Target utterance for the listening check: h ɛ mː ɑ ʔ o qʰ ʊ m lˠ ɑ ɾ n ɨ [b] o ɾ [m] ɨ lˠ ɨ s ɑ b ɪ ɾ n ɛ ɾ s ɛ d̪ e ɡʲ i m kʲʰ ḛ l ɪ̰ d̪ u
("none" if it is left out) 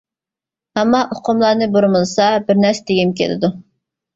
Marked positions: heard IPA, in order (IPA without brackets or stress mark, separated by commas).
b, m